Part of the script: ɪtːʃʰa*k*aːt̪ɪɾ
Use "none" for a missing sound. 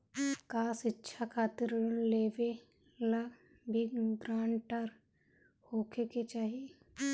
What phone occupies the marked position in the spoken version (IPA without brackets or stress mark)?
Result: kʰ